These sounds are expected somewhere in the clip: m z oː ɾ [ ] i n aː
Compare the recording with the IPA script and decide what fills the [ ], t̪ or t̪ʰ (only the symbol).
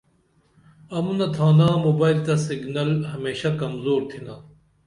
t̪ʰ